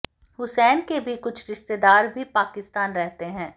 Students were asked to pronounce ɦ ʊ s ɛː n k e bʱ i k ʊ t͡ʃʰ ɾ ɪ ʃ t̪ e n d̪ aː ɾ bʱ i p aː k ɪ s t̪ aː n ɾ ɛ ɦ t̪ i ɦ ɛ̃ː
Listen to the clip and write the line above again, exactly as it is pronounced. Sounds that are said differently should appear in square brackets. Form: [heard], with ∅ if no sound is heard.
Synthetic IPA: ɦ ʊ s ɛː n k e bʱ i k ʊ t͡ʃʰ ɾ ɪ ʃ t̪ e [∅] d̪ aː ɾ bʱ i p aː k ɪ s t̪ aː n ɾ ɛ ɦ t̪ [e] ɦ ɛ̃ː